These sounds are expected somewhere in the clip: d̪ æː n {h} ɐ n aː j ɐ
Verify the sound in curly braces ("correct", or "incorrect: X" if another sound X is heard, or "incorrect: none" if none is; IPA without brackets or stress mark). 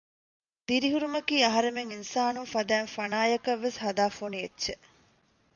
incorrect: f